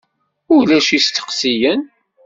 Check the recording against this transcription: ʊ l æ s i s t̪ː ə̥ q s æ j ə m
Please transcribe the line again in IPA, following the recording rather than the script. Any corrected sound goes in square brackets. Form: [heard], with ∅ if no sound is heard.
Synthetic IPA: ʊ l æ [ʃ] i s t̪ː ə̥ q s [i] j ə [n]